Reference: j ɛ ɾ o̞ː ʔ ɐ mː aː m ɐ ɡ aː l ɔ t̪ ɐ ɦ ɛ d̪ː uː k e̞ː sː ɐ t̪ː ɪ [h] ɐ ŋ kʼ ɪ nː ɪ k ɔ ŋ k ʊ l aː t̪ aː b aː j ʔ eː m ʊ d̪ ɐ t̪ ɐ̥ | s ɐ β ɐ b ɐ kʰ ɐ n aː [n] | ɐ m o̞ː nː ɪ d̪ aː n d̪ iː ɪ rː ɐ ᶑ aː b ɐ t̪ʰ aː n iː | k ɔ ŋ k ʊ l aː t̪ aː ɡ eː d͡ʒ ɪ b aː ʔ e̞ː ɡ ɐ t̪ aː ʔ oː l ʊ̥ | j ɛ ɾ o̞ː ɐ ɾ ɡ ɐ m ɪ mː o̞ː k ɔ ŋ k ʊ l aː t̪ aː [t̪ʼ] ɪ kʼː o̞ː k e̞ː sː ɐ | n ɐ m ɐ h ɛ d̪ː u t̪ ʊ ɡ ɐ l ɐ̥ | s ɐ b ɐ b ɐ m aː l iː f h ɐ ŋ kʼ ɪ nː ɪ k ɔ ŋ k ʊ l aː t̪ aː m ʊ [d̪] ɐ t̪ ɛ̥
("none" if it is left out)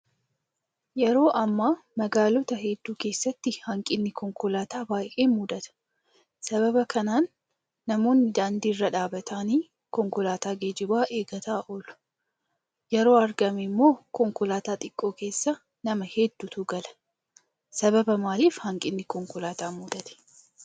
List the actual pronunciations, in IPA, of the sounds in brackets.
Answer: h, nː, t̪ʼ, d̪

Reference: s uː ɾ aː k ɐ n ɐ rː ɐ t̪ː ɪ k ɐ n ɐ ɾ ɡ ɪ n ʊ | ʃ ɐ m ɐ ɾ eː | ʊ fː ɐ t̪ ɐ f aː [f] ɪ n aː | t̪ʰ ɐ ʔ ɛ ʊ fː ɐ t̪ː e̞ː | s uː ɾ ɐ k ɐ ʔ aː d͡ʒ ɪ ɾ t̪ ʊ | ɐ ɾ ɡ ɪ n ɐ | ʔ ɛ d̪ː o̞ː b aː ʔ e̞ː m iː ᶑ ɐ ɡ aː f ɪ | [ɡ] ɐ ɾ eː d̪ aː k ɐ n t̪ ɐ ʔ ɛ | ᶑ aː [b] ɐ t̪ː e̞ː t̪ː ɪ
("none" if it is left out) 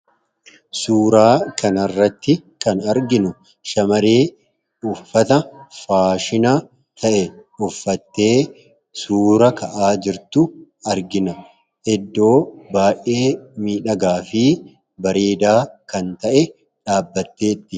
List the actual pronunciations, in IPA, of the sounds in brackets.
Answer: ʃ, b, bː

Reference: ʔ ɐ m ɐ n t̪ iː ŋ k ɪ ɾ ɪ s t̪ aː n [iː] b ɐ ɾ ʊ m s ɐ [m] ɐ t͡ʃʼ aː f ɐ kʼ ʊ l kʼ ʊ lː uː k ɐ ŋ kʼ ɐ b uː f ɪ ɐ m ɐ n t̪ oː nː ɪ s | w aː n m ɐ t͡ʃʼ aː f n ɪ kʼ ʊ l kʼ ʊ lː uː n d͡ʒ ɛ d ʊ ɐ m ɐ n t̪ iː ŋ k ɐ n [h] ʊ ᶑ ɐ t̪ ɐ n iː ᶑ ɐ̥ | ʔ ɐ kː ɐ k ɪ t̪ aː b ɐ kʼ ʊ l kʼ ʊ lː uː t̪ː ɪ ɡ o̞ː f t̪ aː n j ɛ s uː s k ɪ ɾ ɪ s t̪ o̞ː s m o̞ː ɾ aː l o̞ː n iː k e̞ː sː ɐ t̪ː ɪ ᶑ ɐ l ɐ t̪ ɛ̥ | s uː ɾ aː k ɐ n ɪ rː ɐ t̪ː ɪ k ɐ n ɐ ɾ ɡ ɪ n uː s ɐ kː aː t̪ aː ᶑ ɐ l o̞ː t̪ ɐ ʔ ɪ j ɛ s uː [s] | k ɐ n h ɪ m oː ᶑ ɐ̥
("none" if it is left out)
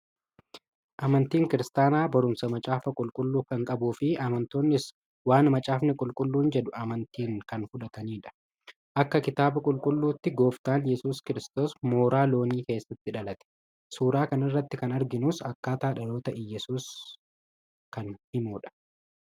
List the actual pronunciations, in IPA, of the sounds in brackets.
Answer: aː, m, f, s

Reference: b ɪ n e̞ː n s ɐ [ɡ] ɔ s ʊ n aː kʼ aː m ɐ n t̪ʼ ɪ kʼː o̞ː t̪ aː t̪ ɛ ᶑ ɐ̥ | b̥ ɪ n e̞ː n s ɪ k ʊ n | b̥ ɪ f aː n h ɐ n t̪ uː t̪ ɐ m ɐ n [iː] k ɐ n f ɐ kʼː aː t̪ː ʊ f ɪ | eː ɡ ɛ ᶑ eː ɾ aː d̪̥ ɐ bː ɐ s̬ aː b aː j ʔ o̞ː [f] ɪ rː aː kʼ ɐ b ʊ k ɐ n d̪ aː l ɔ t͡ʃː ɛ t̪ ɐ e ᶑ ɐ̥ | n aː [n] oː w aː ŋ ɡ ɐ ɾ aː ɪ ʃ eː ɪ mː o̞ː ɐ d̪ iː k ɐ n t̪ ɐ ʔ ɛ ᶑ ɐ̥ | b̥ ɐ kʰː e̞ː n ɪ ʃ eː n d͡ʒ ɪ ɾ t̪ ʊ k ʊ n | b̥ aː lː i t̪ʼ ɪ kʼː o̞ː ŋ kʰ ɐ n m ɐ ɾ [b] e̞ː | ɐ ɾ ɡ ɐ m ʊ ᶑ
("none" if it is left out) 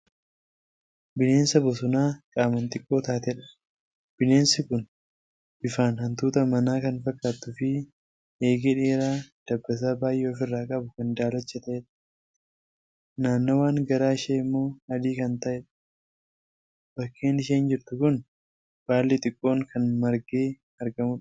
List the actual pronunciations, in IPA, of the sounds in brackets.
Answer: b, aː, f, nː, ɡ

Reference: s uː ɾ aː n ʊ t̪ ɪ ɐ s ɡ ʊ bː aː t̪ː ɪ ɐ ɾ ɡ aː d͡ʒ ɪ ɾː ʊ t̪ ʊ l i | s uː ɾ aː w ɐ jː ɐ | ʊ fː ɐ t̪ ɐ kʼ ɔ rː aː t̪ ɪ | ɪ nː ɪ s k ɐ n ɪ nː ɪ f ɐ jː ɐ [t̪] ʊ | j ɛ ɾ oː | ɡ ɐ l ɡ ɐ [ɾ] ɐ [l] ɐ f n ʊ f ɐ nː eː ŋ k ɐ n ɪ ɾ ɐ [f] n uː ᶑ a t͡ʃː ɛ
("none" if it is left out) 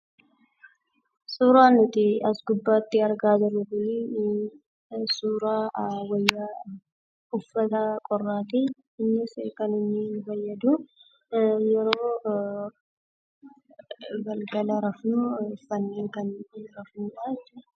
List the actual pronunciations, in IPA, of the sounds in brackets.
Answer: d̪, l, ɾ, f

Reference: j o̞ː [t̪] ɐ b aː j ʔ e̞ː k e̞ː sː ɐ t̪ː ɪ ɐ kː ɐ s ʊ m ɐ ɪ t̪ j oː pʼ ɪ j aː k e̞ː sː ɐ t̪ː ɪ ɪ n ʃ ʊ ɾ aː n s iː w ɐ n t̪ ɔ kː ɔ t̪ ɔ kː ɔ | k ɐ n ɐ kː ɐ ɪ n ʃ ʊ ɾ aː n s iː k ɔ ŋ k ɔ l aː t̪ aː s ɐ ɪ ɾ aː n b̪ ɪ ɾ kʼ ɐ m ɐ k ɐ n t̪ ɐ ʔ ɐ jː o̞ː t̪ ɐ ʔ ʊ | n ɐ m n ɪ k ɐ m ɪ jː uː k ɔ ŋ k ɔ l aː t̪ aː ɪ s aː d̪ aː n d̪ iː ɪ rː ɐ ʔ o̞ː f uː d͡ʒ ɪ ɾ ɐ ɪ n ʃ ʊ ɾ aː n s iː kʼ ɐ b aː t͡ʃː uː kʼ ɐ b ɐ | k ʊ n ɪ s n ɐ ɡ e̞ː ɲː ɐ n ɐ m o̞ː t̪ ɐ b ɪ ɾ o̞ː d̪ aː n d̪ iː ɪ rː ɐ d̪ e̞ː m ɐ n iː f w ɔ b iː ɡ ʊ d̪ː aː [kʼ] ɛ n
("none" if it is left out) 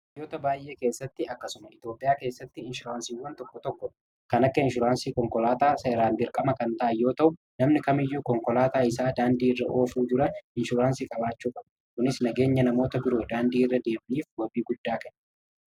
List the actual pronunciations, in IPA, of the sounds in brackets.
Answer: t̪, k

